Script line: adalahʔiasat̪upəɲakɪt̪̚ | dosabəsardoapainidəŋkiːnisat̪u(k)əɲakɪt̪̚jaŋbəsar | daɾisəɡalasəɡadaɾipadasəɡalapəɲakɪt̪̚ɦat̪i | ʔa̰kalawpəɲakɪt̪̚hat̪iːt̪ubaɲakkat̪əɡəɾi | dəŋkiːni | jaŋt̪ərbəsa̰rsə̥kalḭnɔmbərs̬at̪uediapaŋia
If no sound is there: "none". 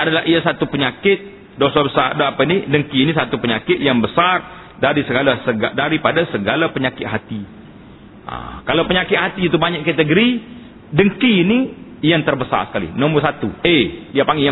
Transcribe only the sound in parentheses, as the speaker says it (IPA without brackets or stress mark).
p